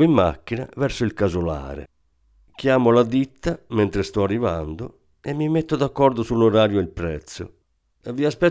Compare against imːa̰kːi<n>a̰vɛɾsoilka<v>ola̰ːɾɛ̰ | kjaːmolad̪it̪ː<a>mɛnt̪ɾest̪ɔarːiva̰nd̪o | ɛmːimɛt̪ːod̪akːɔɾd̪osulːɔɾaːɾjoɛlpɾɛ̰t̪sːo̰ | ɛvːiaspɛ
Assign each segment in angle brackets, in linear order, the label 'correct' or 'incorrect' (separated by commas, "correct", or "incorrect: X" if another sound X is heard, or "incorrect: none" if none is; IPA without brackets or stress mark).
correct, incorrect: z, correct